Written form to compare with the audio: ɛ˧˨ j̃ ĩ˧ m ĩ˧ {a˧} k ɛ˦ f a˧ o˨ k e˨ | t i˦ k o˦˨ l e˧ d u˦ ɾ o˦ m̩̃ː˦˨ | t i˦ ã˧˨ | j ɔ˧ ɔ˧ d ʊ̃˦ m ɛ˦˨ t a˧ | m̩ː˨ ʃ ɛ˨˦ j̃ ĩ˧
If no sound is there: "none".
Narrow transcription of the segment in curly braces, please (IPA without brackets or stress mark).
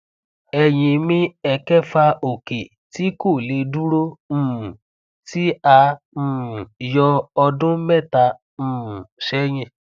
ɛ˧